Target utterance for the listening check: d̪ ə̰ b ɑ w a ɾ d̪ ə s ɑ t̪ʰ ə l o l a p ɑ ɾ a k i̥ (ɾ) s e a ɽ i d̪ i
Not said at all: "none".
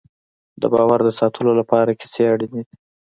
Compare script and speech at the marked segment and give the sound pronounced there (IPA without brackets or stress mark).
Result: none